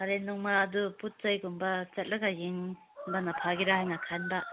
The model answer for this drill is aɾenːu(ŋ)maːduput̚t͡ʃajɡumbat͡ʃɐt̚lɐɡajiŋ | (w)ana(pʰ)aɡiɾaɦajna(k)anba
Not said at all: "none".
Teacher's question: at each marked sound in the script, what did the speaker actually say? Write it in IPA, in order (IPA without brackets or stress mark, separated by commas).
ŋ, b, pʰ, kʰ